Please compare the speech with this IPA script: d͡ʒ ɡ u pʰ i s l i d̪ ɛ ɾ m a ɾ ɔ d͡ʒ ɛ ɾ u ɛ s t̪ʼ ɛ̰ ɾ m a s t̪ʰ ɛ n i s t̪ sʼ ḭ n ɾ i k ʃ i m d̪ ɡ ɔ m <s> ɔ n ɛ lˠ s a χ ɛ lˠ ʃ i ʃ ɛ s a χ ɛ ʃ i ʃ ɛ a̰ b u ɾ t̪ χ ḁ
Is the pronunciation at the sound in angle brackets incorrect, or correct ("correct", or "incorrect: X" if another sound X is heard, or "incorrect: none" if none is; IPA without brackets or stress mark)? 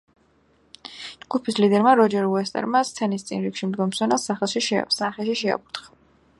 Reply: correct